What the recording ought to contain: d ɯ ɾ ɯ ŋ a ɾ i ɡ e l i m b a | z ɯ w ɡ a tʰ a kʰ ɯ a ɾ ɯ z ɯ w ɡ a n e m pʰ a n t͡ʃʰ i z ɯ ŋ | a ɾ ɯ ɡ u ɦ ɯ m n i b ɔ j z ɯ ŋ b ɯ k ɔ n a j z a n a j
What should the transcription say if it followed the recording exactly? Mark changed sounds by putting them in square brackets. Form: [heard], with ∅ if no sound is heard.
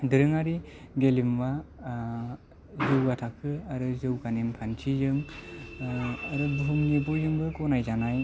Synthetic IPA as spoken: d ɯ ɾ ɯ ŋ a ɾ i ɡ e l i m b a | z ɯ w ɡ a tʰ a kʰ ɯ a ɾ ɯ z ɯ w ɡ a n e m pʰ a n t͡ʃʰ i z ɯ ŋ | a ɾ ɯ [b] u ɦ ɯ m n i b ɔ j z ɯ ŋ b ɯ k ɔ n a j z a n a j